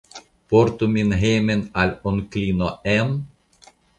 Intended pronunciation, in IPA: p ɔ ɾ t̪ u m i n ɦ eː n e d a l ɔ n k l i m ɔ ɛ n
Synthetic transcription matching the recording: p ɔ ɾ t̪ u m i n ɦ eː m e n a l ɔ n k l i n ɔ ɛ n